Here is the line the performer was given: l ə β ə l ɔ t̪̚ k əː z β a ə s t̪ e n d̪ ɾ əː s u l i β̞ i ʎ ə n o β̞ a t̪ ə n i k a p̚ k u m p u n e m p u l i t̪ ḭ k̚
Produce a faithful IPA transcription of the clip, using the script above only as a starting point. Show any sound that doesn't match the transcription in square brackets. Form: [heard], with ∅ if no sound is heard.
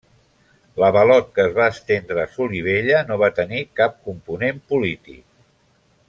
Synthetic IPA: l ə β ə l ɔ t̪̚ k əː z β a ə s t̪ e n d̪ ɾ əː s u l i β̞ [e] ʎ ə n o β̞ a t̪ ə n i k a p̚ k u m p u n e m p u l i t̪ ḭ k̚

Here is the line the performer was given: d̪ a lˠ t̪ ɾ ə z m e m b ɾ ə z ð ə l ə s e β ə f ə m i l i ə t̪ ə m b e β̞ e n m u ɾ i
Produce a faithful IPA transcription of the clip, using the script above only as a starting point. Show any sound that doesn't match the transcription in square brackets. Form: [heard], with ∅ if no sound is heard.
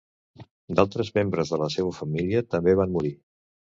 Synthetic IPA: d̪ a lˠ t̪ ɾ ə z m e m b ɾ ə z ð ə l ə s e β ə f ə m i l i ə t̪ ə m b e β̞ [a] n m u ɾ i

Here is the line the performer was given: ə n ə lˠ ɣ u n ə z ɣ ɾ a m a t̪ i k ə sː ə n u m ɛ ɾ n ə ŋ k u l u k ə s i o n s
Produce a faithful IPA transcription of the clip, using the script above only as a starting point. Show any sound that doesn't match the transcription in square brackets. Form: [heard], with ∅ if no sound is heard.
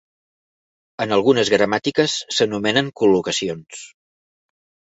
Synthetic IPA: ə n ə lˠ ɣ u n ə z ɣ ɾ [ə] m a t̪ i k ə sː ə n u m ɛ [∅] n ə ŋ k u l u k ə s i o n s

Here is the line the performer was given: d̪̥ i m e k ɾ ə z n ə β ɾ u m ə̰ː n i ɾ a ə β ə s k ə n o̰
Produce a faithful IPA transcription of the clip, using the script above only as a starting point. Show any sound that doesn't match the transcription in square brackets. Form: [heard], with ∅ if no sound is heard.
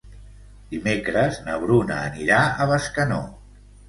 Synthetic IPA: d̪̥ i m e k ɾ ə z n ə β ɾ u [n] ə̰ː n i ɾ a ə β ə s k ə n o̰

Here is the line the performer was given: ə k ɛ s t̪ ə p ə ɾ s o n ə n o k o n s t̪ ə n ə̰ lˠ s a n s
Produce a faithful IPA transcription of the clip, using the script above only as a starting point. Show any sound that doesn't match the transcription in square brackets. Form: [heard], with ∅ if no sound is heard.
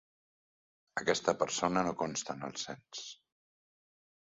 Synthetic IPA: ə k ɛ s t̪ ə p ə ɾ s o n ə n o k o n s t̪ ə n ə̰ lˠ s [ɛ] n s

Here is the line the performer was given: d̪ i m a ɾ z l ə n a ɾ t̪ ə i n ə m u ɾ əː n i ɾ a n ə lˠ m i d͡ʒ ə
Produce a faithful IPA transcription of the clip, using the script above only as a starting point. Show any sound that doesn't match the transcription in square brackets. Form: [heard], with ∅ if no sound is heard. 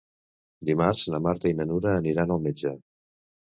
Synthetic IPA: d̪ i m a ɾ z l ə [m] a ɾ t̪ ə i n ə [n] u ɾ əː n i ɾ a n ə lˠ m [e] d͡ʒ ə

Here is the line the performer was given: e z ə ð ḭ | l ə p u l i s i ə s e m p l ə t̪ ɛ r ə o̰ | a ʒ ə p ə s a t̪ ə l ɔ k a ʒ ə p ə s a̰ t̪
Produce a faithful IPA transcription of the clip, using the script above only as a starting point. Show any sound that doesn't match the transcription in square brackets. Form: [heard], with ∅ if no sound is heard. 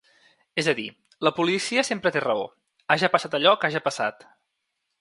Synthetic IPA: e z ə ð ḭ | l ə p u l i s i ə s e m p [ɾ] ə t̪ [e] r ə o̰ | a ʒ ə p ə s a t̪ ə [ʎ] ɔ k a ʒ ə p ə s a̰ t̪

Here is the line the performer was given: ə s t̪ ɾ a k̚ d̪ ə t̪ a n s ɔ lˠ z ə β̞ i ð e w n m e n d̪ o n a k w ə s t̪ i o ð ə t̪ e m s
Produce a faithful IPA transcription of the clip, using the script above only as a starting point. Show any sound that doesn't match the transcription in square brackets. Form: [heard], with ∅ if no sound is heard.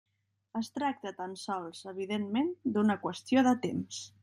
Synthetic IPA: ə s t̪ ɾ a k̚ [t̪] ə t̪ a n s ɔ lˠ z ə β̞ i ð e [∅] n m e n d̪ [u] n [ə] k w ə s t̪ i o ð ə t̪ e m s

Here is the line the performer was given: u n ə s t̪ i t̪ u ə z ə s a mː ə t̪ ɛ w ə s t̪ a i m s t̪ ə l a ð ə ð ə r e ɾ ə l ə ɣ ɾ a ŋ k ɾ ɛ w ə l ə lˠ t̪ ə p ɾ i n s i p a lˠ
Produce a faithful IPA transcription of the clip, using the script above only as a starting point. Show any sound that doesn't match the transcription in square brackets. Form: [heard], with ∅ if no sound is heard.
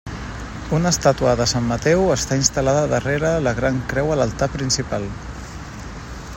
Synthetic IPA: u n ə s t̪ [a] t̪ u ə [ð] ə s a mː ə t̪ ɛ w ə s t̪ a i [n] s t̪ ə l a ð ə ð ə r e ɾ ə l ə ɣ ɾ a ŋ k ɾ ɛ w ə l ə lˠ t̪ [a] p ɾ i n s i p a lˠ

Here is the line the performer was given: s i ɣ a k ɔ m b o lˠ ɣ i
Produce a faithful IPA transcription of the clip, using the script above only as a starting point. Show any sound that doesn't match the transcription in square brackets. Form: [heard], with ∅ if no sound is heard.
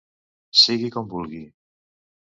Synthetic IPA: s i ɣ [i] k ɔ m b [u] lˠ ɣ i

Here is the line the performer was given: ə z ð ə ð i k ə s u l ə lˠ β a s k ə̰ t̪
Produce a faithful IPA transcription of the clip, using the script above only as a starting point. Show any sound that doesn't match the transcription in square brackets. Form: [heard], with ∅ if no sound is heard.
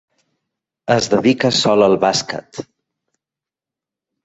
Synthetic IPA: ə z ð ə ð i k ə s [ɔ] l ə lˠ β a s k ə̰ t̪

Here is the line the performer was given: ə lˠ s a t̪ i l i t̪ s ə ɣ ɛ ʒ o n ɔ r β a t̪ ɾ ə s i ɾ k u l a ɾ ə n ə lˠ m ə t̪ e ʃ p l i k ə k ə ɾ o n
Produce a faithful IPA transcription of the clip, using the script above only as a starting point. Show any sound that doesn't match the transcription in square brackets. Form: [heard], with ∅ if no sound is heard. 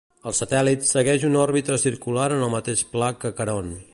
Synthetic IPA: ə lˠ s [ə] t̪ [ɛ] l i t̪ s ə ɣ ɛ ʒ [u] n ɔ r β [i] t̪ ɾ ə s i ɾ k u l a ɾ ə n ə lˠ m ə t̪ e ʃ p l [a] k ə k ə ɾ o n

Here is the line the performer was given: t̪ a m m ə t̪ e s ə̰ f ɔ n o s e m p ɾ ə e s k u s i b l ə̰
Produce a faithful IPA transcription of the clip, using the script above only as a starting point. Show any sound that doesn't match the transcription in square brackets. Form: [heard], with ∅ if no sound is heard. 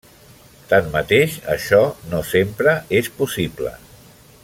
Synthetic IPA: t̪ a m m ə t̪ e [ʃ] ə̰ [ʃ] ɔ n o s e m p ɾ ə e s [p] u s i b l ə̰

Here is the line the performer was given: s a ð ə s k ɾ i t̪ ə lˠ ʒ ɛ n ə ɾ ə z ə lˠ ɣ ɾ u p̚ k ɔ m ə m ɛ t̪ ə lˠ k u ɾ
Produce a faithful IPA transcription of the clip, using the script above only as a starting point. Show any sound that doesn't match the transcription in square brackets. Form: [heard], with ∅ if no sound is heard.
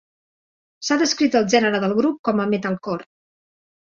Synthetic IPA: s a ð ə s k ɾ i t̪ ə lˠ ʒ ɛ n ə ɾ ə [ð] ə lˠ ɣ ɾ u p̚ k ɔ m ə m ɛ t̪ ə lˠ k [ɔ] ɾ

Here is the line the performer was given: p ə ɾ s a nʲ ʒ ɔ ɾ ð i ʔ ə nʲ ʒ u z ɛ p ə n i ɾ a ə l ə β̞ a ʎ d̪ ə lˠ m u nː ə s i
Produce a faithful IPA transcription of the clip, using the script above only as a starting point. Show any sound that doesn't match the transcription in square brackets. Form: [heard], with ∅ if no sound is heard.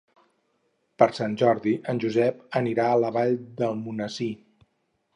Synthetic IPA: p ə ɾ s a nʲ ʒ ɔ ɾ ð i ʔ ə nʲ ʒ u z ɛ p ə n i ɾ a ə l ə β̞ a ʎ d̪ ə lˠ m u [n] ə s i

